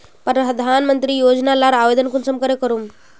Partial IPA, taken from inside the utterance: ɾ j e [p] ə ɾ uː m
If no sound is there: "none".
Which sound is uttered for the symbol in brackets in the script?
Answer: k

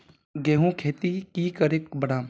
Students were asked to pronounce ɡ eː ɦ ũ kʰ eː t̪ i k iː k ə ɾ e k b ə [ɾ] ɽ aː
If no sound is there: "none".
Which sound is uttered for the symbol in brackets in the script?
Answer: none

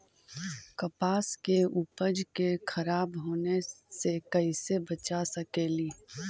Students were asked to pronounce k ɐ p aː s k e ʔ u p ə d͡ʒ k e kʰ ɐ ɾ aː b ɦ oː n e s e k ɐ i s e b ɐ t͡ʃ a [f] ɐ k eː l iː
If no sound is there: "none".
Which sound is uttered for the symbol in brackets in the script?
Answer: s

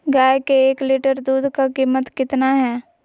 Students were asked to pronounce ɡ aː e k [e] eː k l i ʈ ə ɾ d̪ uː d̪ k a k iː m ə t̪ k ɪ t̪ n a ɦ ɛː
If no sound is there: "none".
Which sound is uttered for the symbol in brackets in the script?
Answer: e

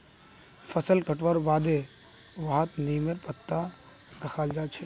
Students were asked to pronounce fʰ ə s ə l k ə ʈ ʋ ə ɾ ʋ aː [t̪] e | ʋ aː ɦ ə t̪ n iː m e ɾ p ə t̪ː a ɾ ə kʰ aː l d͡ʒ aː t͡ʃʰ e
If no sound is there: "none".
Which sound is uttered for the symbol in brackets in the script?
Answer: d̪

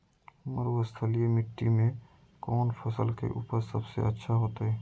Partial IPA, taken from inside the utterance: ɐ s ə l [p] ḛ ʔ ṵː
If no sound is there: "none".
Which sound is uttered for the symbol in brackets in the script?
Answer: k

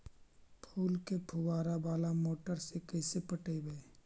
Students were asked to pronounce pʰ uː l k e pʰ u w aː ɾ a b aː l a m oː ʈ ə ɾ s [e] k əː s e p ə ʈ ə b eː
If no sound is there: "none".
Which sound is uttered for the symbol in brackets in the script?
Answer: e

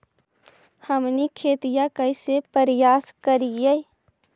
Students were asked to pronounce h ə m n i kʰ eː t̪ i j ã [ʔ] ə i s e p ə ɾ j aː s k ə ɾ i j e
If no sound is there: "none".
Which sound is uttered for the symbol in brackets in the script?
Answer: k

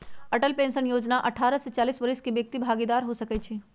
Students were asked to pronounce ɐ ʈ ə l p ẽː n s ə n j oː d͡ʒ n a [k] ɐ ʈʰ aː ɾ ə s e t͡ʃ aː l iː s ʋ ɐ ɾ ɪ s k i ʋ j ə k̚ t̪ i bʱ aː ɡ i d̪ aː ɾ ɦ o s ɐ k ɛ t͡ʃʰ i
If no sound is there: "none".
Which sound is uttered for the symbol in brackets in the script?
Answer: ʔ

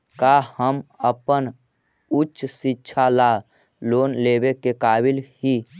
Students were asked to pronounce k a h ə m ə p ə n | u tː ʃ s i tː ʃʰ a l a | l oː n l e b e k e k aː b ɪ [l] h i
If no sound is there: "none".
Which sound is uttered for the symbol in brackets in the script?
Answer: l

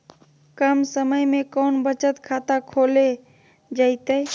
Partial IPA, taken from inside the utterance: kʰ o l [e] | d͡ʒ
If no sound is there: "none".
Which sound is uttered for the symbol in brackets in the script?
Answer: e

